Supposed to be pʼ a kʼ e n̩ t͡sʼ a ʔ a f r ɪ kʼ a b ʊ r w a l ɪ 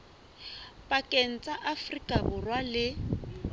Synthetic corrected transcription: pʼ a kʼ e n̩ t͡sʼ a ʔ a f r i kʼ a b ʊ r w a l ɪ